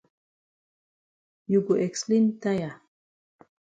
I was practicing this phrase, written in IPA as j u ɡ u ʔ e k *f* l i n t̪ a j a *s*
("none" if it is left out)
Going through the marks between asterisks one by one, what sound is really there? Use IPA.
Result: s, none

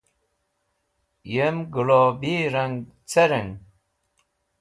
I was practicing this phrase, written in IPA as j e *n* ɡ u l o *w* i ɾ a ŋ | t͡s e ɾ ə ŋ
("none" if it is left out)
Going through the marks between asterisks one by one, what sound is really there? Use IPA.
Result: m, b

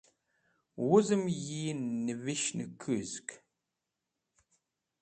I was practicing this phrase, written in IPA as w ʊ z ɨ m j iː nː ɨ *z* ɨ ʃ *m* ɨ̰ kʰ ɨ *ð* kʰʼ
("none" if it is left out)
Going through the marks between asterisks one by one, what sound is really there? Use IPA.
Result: v, n, z

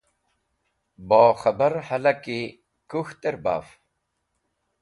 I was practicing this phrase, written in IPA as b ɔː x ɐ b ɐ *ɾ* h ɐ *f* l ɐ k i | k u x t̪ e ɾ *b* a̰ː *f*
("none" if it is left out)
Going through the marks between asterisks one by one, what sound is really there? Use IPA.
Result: ɾ, none, b, f

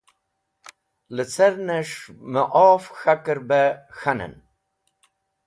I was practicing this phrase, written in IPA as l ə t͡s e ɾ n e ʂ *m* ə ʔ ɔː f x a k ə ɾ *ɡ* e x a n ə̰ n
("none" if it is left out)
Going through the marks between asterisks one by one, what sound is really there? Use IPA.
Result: m, b

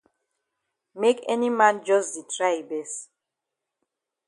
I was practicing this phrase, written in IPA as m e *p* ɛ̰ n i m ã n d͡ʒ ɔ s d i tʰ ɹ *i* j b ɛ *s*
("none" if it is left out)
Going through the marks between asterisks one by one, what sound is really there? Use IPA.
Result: k, a, s

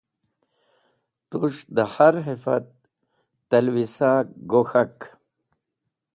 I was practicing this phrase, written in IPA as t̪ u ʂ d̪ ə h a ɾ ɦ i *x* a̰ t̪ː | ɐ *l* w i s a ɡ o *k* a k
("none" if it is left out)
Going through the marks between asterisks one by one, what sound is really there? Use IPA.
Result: f, l, x

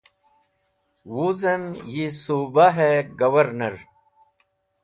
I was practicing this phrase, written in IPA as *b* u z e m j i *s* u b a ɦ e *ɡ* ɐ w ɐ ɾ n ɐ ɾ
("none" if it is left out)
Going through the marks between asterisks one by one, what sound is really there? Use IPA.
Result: w, s, ɡ

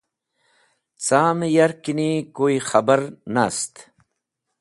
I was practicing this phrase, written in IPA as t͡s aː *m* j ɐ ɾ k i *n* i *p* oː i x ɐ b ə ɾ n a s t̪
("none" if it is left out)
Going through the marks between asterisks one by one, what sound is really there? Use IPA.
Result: m, n, k

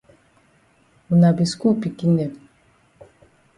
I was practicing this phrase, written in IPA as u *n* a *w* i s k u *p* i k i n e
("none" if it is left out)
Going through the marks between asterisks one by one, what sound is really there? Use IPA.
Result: n, b, p

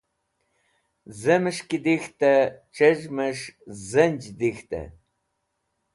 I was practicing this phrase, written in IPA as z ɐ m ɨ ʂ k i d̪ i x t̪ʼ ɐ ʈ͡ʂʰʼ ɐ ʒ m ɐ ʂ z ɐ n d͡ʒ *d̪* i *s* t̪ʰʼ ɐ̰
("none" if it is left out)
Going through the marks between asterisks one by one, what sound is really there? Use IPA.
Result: d̪, x

